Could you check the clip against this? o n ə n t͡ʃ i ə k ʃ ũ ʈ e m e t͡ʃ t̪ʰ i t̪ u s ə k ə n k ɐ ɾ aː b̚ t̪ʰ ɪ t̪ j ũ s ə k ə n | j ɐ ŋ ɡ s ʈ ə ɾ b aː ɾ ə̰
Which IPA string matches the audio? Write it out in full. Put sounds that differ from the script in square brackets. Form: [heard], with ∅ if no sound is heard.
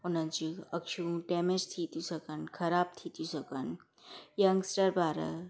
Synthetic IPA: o n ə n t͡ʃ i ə k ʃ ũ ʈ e m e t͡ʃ t̪ʰ i t̪ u s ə k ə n [kʰ] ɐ ɾ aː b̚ t̪ʰ [i] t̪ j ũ s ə k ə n | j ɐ ŋ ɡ s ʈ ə ɾ b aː ɾ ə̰